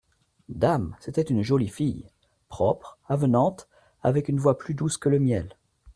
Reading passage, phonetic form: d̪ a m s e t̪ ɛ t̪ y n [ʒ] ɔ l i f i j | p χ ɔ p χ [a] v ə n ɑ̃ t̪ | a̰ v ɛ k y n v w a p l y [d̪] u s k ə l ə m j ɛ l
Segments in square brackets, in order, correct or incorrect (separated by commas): correct, correct, correct